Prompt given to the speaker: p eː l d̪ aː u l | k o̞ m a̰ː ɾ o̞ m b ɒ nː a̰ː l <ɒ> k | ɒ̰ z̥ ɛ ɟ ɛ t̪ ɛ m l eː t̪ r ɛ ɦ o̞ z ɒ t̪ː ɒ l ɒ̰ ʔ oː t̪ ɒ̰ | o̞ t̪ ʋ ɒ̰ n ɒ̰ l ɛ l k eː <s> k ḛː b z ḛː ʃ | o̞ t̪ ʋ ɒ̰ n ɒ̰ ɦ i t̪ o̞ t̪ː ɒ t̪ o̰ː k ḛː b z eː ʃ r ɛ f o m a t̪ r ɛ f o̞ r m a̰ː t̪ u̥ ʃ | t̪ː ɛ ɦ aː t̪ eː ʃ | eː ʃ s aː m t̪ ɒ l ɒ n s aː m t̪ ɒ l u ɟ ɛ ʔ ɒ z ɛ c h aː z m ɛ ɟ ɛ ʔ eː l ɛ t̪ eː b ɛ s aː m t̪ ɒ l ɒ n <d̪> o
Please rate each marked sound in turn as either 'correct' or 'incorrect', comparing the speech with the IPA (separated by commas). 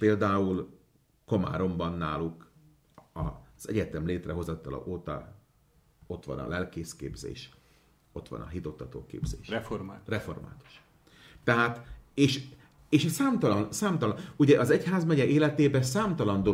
incorrect, correct, correct